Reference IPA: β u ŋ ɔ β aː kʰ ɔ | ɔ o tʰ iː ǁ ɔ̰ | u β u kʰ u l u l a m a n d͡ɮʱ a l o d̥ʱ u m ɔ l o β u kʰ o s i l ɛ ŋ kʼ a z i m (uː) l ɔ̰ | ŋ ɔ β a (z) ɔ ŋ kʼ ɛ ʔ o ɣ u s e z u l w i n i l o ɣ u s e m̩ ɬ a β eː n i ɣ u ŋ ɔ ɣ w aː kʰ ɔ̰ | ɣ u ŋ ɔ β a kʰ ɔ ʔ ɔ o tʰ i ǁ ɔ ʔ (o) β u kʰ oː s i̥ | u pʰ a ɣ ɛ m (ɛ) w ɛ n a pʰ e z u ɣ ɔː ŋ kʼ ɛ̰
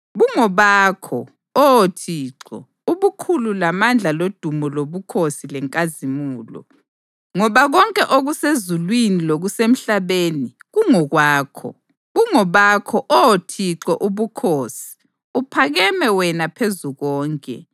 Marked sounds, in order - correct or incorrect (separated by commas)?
correct, incorrect, incorrect, correct